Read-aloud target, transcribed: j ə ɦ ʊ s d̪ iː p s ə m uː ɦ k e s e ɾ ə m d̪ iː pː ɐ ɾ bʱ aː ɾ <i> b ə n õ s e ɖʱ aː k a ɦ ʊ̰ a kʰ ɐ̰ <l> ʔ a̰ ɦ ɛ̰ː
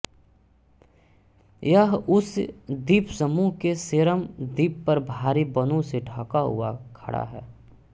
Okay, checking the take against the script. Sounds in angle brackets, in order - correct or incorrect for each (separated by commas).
correct, incorrect